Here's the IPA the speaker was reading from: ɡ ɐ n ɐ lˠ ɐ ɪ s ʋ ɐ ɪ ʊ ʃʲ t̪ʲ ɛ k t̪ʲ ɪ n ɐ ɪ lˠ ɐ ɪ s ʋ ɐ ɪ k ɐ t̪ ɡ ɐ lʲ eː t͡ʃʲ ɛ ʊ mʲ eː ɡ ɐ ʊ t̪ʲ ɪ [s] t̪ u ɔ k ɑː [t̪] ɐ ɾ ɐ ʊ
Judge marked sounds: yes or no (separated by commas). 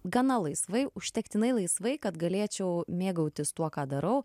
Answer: yes, no